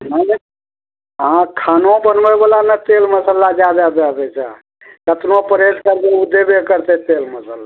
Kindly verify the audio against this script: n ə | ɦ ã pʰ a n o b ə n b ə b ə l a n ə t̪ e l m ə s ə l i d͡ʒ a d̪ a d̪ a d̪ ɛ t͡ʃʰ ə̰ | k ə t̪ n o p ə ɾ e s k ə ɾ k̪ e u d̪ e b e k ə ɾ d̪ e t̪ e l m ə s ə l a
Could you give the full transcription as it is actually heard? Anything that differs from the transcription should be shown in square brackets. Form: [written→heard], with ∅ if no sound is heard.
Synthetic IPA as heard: n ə | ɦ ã [pʰ→kʰ] a n o b ə n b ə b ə l a n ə t̪ e l m ə s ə l [i→a] d͡ʒ a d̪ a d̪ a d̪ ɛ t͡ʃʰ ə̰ | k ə t̪ n o p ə ɾ e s k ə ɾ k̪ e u d̪ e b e k ə ɾ [d̪→t̪] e t̪ e l m ə s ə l a